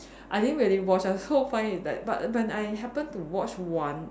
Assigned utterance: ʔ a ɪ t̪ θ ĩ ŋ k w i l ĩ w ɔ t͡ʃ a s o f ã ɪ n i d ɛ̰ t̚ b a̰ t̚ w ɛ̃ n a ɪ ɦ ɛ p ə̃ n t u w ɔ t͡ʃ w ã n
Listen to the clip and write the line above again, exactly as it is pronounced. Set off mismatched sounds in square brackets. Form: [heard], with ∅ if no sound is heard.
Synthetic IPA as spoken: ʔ a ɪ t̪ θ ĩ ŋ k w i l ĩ w ɔ t͡ʃ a s o f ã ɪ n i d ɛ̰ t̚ b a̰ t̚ w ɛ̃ n a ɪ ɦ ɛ p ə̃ n t u w ɔ t͡ʃ w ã n